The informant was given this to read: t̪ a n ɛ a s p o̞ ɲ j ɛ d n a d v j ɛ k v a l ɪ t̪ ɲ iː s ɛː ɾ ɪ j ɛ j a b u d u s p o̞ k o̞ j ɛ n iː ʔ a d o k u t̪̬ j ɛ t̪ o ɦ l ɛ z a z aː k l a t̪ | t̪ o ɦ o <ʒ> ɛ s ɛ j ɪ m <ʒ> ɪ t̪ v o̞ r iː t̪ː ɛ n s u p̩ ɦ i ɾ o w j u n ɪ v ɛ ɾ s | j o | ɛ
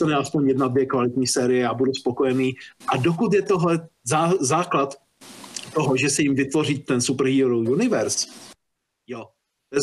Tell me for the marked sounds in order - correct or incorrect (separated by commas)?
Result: correct, incorrect